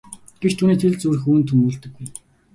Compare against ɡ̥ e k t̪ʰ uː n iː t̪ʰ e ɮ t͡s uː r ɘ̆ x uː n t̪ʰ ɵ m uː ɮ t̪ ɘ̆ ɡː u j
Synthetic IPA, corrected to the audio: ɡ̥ e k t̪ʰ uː n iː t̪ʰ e ɮ t͡s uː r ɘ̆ x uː n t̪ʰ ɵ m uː ɮ t̪ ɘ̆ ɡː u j